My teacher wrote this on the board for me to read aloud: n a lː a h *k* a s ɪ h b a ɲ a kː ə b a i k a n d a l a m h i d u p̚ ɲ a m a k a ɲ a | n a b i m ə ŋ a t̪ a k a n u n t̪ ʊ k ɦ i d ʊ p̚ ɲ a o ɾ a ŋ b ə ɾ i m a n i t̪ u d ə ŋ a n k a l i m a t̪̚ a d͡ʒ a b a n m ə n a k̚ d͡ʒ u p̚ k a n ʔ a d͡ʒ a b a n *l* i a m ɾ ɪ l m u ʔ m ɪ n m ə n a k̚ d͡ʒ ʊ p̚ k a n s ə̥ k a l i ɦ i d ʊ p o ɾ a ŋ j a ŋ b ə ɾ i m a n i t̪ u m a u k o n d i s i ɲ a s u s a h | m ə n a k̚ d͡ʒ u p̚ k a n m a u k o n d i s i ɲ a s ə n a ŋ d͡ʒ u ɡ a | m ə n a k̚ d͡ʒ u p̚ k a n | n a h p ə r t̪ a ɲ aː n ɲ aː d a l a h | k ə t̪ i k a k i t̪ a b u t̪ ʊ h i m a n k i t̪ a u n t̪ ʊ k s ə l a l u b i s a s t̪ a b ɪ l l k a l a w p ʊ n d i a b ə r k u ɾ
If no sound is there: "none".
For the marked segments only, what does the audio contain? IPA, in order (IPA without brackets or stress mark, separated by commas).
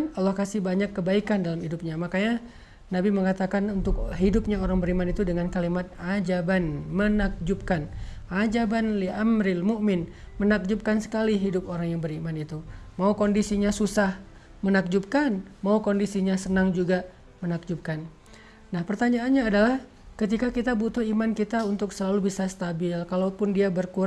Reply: k, l